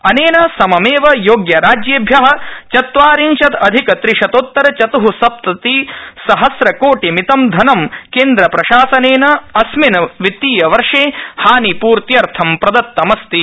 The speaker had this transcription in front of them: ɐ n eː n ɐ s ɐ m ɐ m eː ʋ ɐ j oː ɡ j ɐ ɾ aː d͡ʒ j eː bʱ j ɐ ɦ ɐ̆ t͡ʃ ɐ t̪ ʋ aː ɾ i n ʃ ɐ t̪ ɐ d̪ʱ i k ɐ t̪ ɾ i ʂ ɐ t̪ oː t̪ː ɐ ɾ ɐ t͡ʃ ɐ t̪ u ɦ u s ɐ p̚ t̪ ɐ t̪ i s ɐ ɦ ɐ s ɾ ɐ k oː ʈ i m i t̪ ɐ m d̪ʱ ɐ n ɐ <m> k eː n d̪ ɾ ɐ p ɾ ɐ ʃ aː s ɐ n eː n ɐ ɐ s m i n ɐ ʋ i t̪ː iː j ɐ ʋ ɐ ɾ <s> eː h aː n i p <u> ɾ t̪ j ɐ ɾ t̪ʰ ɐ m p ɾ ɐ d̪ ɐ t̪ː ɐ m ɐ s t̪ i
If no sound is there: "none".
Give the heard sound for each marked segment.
m, ʂ, uː

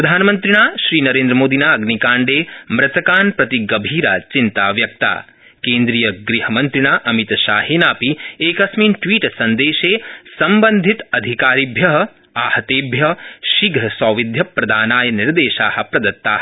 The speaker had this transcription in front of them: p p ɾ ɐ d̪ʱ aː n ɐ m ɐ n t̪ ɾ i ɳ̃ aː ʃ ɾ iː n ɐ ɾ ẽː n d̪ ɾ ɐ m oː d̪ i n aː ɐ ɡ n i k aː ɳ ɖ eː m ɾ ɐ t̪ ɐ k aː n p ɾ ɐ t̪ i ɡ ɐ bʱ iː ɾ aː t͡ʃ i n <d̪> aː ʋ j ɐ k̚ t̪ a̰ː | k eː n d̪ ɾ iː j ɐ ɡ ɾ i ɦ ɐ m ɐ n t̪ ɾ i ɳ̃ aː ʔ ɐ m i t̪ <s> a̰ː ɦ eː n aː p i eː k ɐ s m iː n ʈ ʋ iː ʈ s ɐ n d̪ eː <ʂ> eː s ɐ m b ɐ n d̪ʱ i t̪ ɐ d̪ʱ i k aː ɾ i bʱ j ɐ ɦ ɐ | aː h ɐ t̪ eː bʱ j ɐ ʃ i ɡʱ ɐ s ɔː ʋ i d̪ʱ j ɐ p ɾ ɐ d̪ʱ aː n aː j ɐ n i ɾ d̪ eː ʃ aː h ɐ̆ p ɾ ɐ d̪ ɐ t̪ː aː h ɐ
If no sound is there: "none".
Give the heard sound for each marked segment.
t̪, ʃ, ʃ

